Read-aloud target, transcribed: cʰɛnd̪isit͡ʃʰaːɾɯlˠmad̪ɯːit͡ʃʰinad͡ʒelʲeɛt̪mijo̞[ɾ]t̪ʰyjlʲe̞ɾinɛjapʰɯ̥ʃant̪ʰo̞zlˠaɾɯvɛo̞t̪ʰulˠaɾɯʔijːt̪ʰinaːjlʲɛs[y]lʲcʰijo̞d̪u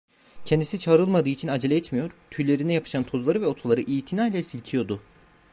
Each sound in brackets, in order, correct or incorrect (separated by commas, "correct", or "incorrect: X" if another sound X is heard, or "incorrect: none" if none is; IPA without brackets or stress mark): correct, incorrect: i